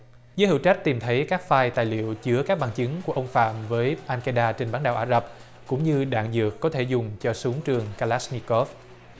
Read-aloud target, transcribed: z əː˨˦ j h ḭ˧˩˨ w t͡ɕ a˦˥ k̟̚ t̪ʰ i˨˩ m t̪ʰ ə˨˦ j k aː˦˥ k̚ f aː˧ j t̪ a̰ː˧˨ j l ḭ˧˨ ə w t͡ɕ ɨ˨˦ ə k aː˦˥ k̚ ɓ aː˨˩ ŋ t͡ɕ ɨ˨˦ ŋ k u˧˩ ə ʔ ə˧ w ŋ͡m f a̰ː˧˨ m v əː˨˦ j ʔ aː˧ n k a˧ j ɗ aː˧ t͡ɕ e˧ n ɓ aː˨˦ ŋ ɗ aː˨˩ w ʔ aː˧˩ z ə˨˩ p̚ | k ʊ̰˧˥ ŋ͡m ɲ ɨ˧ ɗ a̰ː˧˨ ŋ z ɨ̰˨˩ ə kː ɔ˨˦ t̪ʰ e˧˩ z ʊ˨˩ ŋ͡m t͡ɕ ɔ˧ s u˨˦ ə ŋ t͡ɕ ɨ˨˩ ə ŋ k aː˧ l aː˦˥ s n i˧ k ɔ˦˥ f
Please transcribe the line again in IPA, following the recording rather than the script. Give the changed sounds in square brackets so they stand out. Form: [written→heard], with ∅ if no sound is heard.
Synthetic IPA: z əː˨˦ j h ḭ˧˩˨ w t͡ɕ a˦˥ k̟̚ [t̪ʰ→t̪] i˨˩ m t̪ʰ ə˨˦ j k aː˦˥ k̚ f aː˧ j t̪ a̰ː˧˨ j l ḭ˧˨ ə w t͡ɕ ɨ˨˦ ə k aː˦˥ k̚ ɓ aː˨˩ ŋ t͡ɕ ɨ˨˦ ŋ k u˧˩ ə ʔ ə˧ w ŋ͡m f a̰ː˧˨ m v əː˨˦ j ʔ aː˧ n k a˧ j ɗ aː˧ t͡ɕ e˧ n ɓ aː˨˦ [ŋ→n] ɗ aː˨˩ w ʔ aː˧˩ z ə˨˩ p̚ | k ʊ̰˧˥ ŋ͡m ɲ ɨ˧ ɗ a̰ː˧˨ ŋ z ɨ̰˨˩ ə kː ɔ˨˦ t̪ʰ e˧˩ z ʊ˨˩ ŋ͡m t͡ɕ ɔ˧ s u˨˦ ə ŋ t͡ɕ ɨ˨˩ ə ŋ k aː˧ l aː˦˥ s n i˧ k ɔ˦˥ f

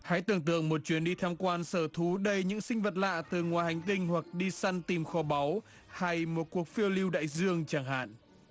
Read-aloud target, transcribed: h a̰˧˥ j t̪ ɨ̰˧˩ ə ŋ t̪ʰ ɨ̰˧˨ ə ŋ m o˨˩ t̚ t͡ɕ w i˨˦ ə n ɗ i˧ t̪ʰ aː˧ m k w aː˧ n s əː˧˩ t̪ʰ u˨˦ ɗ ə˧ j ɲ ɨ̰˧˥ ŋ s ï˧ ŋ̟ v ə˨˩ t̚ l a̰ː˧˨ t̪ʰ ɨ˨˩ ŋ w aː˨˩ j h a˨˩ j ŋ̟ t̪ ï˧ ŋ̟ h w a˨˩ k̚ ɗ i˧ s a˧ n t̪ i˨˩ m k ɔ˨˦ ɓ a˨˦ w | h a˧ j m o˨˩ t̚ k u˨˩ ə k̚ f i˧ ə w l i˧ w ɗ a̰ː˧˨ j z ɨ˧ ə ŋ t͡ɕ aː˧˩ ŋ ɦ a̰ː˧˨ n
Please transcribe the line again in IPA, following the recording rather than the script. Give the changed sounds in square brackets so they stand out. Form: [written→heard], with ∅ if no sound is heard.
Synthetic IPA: h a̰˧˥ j t̪ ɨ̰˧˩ ə ŋ [t̪ʰ→t̪] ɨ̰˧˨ ə ŋ m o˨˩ t̚ t͡ɕ w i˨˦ ə n ɗ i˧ t̪ʰ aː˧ m k w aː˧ n s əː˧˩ t̪ʰ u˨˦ ɗ ə˧ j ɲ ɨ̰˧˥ ŋ s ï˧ ŋ̟ v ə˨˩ t̚ l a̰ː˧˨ [t̪ʰ→t̪] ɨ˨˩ ŋ w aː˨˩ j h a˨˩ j ŋ̟ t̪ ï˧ ŋ̟ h w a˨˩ k̚ ɗ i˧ s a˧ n t̪ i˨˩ m [k→x] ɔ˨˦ ɓ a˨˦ w | h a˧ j m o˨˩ t̚ k u˨˩ ə k̚ f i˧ ə w l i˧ w ɗ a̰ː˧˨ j z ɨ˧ ə ŋ t͡ɕ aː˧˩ ŋ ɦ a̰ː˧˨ n

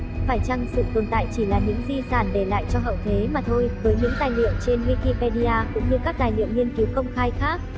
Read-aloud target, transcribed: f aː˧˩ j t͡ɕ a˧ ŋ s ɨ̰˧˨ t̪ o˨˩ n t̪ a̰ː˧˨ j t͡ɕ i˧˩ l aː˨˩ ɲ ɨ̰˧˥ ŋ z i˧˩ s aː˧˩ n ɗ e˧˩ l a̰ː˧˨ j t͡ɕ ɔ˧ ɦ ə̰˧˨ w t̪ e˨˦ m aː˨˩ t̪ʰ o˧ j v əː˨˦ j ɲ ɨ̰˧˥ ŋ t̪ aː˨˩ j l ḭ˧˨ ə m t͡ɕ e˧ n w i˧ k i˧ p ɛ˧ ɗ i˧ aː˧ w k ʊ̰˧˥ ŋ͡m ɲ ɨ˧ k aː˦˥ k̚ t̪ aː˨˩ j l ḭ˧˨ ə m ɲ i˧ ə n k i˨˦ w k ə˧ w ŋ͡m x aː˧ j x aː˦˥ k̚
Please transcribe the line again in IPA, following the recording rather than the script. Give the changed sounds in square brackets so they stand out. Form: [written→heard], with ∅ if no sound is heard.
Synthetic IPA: f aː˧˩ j t͡ɕ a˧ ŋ s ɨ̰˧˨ t̪ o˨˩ n t̪ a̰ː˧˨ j t͡ɕ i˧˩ l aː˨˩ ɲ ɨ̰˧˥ ŋ z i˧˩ s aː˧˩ n ɗ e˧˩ l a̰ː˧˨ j t͡ɕ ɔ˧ ɦ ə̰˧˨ w [t̪→t̪ʰ] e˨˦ m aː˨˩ t̪ʰ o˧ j v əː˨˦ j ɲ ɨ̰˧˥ ŋ t̪ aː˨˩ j l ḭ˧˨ ə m t͡ɕ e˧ n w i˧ k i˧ p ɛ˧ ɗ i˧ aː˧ [w→∅] k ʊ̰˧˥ ŋ͡m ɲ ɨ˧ k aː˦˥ k̚ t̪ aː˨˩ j l ḭ˧˨ ə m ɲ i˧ ə n k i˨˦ w k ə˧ w ŋ͡m x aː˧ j x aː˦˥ k̚

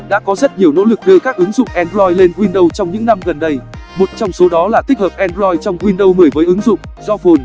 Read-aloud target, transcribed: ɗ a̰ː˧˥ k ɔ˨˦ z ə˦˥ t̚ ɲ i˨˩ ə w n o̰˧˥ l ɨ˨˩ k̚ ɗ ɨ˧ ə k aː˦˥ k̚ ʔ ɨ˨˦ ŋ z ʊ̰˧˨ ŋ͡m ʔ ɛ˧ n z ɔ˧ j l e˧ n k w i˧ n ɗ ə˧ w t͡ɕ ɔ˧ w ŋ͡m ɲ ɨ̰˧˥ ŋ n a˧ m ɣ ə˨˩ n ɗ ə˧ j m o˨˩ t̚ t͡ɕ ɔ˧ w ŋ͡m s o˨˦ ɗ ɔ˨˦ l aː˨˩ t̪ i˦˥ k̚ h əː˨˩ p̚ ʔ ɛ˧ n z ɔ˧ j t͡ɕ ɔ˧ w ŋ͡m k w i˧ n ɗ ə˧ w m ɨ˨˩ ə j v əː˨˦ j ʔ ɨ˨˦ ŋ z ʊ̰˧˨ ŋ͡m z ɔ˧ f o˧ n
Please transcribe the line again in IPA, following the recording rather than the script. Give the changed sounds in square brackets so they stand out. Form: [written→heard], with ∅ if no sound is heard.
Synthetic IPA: ɗ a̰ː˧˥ k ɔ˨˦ z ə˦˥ t̚ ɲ i˨˩ ə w n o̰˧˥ l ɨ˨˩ k̚ ɗ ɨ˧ ə k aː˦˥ k̚ ʔ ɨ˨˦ ŋ z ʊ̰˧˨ ŋ͡m ʔ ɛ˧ n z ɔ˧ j l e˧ n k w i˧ n ɗ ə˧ w t͡ɕ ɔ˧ w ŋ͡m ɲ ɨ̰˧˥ ŋ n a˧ m ɣ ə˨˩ n ɗ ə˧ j m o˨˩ t̚ t͡ɕ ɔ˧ w ŋ͡m s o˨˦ ɗ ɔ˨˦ l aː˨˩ t̪ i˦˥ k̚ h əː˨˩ p̚ ʔ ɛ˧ n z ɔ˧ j t͡ɕ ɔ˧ w ŋ͡m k w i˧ n ɗ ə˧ w m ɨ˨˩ ə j v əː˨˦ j ʔ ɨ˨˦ ŋ z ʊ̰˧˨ ŋ͡m z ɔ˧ f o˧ n

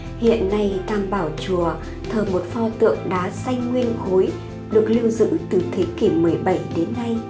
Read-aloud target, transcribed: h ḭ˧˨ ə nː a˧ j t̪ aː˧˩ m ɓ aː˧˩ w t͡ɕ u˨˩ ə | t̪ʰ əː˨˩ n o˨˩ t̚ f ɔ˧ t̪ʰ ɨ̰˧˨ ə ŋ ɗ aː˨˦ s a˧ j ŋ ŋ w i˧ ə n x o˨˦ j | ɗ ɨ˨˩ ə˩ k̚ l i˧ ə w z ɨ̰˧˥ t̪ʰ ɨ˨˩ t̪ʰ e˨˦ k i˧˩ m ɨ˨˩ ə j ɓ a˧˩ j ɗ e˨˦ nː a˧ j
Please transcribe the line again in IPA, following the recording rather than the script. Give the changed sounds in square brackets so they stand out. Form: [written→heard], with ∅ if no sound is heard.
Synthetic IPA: h ḭ˧˨ ə nː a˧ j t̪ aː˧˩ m ɓ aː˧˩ w t͡ɕ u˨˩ ə | t̪ʰ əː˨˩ [n→m] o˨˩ t̚ f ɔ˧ [t̪ʰ→t̪] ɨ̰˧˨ ə ŋ ɗ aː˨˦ s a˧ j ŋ ŋ w i˧ ə n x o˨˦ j | ɗ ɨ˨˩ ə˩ k̚ l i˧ ə w z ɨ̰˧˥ [t̪ʰ→t̪] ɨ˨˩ t̪ʰ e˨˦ k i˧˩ m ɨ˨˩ ə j ɓ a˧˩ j ɗ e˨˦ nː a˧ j

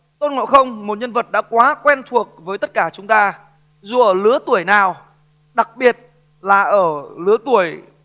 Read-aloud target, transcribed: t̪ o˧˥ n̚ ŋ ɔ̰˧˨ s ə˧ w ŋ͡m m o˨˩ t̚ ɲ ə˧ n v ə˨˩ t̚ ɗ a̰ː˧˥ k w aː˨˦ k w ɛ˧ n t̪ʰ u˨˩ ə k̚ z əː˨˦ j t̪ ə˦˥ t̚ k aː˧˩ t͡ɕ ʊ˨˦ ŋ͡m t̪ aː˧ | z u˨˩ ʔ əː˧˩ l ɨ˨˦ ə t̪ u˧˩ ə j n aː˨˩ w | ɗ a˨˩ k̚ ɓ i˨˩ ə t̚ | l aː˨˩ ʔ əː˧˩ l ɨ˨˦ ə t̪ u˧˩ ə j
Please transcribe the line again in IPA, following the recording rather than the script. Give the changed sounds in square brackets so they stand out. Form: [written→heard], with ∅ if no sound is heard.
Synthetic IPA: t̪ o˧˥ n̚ ŋ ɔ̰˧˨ [s→x] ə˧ w ŋ͡m m o˨˩ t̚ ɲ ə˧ n v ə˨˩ t̚ ɗ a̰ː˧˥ k w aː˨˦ k w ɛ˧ n t̪ʰ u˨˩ ə k̚ [z→v] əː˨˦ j t̪ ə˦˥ t̚ k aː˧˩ t͡ɕ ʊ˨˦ ŋ͡m t̪ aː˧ | z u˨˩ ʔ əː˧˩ l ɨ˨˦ ə t̪ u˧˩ ə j n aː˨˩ w | ɗ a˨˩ k̚ ɓ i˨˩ ə t̚ | l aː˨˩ ʔ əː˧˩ l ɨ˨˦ ə t̪ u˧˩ ə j

